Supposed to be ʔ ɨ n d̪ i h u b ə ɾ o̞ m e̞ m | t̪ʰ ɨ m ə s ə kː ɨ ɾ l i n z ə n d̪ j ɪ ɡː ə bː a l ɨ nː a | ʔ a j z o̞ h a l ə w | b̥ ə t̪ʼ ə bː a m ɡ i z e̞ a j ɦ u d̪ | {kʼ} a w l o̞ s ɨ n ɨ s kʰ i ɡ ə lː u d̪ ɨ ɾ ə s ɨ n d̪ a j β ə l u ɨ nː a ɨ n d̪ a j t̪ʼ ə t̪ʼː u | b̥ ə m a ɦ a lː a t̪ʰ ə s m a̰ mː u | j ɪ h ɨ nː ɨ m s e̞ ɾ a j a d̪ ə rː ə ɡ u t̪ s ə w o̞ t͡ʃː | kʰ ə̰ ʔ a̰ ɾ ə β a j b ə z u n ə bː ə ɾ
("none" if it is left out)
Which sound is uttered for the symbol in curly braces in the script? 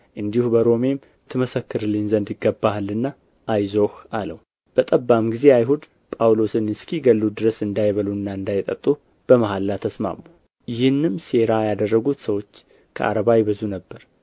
pʼ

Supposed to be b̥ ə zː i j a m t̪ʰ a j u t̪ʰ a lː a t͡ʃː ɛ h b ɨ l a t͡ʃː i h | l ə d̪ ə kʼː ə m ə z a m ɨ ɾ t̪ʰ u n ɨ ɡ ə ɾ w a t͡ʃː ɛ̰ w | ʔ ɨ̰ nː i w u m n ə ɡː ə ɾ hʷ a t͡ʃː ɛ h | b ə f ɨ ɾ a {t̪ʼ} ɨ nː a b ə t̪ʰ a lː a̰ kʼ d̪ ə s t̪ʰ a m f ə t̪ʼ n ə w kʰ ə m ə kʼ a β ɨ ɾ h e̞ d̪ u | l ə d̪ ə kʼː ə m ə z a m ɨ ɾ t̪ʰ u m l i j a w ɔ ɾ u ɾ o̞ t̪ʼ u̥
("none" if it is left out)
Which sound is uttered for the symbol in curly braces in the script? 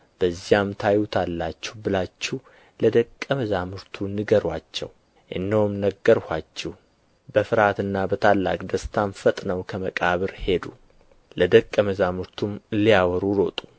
t̪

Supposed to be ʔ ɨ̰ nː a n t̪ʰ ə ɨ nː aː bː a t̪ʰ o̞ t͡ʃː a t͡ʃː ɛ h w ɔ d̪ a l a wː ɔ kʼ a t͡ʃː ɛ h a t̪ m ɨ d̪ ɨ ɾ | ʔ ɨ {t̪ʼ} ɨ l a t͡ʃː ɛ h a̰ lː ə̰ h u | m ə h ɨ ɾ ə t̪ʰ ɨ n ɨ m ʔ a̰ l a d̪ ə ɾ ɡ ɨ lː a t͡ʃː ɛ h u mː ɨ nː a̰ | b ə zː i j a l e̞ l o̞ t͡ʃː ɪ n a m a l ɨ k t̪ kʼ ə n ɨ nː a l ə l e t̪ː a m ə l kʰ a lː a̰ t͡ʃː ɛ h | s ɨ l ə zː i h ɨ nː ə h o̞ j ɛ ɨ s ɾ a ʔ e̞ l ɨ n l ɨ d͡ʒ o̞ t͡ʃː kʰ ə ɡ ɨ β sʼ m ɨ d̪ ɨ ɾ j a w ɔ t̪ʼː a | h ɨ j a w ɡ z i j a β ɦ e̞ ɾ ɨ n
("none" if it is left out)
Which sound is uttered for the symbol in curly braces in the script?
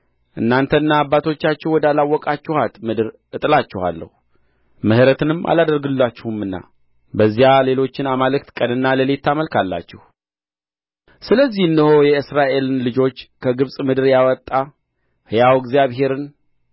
t̪ʼ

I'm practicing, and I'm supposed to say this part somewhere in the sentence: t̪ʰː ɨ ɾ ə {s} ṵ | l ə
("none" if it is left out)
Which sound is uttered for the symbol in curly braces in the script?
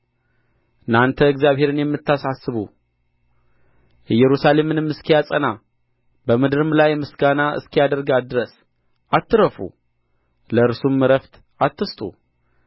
f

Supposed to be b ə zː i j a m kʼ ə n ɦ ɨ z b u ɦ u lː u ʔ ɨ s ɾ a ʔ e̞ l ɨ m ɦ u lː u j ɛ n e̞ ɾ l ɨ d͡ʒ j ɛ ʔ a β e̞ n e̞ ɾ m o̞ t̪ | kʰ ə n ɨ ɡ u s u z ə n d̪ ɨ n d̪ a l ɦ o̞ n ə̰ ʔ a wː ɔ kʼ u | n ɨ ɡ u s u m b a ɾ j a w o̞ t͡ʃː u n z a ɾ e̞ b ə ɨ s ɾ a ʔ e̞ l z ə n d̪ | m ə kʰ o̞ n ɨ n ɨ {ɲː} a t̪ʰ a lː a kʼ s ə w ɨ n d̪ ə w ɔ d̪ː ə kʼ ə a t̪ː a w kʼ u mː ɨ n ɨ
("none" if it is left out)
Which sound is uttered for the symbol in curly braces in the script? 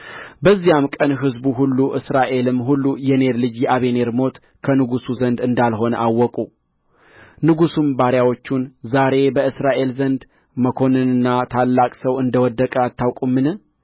nː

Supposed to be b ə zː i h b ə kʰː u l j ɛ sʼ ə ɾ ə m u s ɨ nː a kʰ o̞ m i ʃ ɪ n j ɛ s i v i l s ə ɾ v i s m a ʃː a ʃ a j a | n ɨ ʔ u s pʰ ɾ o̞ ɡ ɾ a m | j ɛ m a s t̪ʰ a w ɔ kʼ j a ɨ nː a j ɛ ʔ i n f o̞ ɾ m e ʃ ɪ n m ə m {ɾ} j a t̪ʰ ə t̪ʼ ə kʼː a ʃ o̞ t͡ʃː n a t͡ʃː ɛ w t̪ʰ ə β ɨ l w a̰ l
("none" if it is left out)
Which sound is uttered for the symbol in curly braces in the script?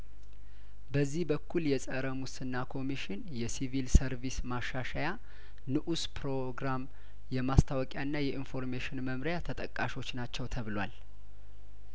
ɾ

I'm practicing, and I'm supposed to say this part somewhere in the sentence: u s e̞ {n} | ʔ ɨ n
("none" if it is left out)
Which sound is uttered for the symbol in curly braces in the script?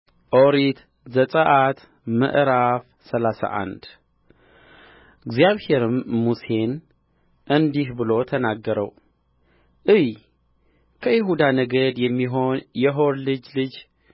n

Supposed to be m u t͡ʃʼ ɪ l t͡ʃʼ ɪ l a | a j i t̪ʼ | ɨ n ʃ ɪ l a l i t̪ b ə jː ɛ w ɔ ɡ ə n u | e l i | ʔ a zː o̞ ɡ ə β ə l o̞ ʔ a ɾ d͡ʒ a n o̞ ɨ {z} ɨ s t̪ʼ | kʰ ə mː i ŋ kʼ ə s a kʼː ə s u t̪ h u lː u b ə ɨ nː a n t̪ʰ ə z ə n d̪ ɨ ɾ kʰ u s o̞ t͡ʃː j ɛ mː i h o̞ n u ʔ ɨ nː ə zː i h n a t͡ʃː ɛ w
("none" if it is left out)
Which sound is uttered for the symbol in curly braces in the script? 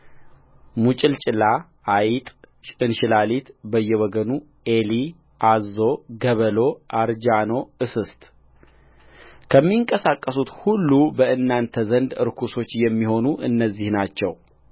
s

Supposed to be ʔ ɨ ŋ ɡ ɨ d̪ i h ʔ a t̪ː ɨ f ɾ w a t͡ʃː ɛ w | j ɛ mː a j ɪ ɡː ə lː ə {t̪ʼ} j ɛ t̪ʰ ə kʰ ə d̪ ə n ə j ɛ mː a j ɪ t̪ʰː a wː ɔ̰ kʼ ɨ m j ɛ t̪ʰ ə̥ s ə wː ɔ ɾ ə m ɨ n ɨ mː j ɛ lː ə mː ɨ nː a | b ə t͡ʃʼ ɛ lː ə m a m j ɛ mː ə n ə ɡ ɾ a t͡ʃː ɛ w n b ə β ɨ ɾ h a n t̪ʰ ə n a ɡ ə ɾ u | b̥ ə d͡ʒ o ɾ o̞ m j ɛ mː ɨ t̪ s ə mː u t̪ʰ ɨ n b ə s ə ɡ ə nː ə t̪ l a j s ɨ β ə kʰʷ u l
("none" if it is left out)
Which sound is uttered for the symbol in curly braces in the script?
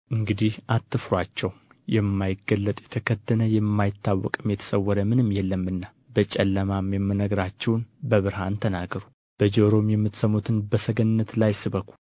t̪ʼ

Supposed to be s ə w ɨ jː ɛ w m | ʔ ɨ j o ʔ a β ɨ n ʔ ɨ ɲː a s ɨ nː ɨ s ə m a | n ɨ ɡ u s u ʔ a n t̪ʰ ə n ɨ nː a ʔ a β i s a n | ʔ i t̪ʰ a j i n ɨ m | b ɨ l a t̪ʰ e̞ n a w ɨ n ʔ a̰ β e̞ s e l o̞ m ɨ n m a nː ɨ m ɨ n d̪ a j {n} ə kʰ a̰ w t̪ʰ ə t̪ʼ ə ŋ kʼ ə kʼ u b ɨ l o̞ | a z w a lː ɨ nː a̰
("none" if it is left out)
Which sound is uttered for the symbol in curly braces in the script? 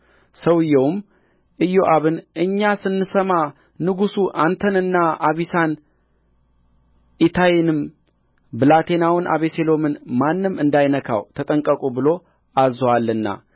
n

